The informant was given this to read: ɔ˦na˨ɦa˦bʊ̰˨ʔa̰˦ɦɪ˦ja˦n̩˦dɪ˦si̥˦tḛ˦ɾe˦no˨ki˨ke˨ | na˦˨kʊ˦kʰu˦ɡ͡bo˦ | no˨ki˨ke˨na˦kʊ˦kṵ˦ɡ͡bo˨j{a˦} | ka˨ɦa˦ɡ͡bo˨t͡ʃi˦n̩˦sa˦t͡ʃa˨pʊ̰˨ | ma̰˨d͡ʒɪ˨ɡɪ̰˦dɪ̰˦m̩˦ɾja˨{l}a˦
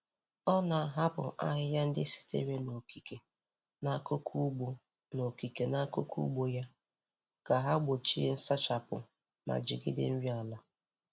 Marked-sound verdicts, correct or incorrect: correct, correct

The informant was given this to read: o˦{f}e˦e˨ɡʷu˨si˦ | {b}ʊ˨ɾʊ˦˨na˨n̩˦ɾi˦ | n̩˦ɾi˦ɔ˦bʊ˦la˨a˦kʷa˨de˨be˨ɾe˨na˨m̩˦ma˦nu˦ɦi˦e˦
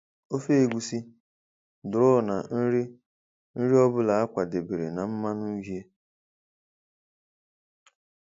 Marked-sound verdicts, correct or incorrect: correct, incorrect

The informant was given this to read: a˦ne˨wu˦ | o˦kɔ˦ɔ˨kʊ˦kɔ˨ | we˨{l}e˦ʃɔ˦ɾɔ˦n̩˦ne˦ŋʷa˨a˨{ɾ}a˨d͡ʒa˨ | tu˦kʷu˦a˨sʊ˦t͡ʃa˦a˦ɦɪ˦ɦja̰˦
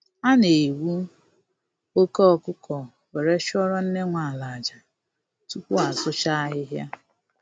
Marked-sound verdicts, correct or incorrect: incorrect, incorrect

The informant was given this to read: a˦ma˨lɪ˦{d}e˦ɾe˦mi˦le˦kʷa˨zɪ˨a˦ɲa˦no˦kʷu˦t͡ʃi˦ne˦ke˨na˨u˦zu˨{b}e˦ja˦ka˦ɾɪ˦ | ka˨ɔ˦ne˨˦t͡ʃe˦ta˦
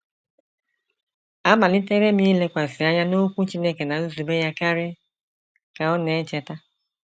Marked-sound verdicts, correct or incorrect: incorrect, correct

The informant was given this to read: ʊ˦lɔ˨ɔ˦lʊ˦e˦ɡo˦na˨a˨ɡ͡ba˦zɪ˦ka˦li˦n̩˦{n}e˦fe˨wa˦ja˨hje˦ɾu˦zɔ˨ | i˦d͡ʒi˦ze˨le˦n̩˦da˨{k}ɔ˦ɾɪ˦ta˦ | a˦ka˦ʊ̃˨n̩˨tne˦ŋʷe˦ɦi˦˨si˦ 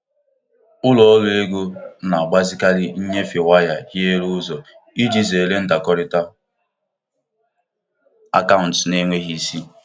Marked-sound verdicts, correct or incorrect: incorrect, correct

